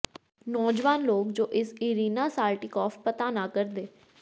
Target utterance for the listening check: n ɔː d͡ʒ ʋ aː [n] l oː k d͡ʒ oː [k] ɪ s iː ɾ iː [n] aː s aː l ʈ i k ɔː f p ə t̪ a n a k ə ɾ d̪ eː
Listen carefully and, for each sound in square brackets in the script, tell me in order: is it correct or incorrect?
correct, incorrect, correct

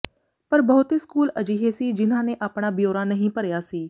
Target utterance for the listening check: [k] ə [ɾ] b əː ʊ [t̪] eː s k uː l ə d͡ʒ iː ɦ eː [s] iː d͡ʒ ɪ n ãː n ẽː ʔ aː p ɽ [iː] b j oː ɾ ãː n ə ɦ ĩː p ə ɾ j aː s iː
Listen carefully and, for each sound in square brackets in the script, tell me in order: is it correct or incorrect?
incorrect, correct, correct, correct, incorrect

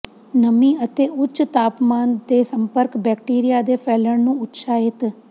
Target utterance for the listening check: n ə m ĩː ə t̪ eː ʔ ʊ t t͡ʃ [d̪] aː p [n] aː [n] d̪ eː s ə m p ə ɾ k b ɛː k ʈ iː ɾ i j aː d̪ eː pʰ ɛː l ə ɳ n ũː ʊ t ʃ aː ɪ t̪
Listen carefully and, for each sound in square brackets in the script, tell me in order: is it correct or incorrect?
incorrect, incorrect, correct

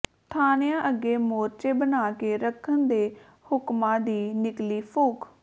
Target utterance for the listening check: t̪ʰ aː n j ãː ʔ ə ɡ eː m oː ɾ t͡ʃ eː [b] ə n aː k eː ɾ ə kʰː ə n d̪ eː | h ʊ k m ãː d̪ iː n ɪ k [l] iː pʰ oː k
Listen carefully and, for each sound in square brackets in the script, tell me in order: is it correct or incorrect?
correct, correct

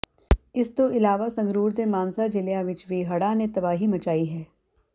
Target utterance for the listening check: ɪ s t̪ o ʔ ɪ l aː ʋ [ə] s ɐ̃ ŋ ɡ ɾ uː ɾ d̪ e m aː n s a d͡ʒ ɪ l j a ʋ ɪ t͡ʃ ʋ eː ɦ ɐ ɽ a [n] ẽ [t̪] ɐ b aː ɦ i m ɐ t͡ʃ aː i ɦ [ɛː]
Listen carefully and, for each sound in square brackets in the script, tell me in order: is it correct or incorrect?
incorrect, correct, correct, correct

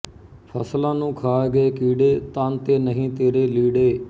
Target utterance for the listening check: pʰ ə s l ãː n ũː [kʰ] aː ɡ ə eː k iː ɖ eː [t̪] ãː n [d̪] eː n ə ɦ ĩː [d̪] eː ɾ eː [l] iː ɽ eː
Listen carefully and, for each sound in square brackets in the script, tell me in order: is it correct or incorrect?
correct, correct, incorrect, incorrect, correct

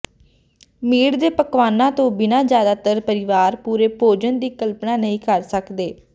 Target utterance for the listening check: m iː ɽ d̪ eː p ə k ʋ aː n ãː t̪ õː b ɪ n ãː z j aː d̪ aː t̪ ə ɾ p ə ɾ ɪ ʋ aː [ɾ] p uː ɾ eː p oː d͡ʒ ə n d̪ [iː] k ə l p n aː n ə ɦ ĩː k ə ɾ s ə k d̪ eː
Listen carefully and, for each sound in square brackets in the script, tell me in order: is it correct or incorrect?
correct, correct

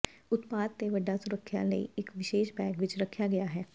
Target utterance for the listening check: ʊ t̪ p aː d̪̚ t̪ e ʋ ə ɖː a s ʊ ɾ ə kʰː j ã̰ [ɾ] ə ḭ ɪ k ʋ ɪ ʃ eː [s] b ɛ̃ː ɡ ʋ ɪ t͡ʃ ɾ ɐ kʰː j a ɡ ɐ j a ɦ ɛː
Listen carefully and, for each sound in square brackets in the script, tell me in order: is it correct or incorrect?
incorrect, incorrect

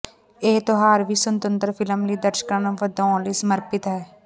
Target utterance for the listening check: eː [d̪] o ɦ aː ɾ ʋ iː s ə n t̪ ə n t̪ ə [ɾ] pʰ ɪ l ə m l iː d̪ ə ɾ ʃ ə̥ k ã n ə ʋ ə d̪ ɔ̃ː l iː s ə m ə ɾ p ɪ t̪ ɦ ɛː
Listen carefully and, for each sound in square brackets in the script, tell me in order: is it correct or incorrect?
incorrect, correct

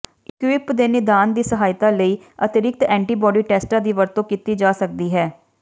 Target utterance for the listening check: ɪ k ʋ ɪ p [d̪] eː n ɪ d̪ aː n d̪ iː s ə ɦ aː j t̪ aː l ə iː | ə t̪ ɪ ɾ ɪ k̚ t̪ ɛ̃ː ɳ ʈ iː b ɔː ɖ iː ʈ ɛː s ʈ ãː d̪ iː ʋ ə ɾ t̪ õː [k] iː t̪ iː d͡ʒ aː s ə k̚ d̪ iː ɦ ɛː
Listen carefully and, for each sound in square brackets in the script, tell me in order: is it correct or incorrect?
correct, correct

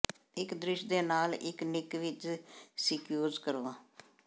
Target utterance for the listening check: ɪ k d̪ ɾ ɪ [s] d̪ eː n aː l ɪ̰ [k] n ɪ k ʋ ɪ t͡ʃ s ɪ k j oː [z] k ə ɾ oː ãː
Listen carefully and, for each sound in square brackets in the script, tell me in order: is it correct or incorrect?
incorrect, correct, correct

